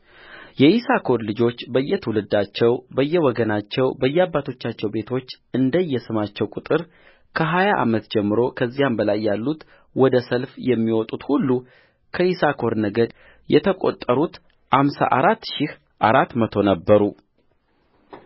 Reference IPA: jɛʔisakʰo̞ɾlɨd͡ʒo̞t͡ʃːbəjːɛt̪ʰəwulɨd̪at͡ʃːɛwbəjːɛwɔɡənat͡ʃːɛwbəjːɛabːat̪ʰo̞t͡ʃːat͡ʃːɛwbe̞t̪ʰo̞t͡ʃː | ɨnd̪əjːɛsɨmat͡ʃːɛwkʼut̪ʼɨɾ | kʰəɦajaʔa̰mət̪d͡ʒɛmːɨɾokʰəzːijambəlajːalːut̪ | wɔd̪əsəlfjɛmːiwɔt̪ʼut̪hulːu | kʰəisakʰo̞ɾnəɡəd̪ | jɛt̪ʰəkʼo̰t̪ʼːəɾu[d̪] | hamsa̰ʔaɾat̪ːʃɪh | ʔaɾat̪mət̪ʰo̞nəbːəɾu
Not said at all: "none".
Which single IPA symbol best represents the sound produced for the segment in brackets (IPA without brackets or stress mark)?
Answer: t̪